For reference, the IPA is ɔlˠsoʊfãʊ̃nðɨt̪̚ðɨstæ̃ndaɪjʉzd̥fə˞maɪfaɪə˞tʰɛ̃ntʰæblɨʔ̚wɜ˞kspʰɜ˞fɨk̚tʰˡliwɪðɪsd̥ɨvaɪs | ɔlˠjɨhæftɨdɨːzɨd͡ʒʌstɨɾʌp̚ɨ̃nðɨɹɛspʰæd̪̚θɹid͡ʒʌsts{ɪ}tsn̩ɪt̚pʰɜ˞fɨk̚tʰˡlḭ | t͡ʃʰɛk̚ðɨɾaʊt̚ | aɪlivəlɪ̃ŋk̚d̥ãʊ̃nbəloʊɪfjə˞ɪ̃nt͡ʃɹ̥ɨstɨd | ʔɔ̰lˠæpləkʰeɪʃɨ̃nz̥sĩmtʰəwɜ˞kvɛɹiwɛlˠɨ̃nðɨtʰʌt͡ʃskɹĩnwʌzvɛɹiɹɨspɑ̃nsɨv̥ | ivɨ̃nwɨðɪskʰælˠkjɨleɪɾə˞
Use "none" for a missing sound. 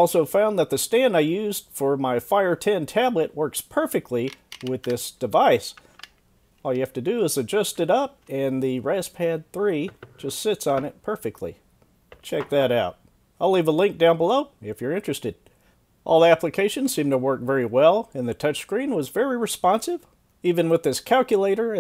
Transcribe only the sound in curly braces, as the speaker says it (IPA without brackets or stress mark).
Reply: ɪ